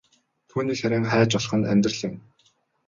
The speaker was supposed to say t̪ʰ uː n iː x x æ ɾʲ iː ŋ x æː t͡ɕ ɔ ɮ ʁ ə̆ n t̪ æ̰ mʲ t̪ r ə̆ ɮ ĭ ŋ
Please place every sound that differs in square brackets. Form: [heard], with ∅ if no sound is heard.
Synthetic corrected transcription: t̪ʰ uː n iː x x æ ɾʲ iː ŋ [χ] æː t͡ɕ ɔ ɮ [χ] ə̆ n t̪ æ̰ mʲ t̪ r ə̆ ɮ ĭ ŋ